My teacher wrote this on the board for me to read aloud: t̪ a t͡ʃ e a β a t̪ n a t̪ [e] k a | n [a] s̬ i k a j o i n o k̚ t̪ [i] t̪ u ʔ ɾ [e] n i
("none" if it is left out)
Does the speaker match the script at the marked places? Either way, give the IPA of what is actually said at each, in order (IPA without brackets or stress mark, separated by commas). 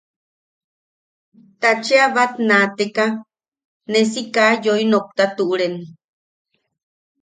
e, e, a, e